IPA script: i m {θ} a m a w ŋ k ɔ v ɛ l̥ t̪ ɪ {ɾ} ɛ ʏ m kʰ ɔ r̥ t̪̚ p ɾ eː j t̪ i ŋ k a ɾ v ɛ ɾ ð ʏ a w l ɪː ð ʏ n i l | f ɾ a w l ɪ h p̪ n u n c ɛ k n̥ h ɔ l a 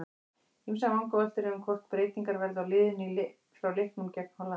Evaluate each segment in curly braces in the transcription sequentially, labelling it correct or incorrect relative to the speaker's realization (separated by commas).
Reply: incorrect, correct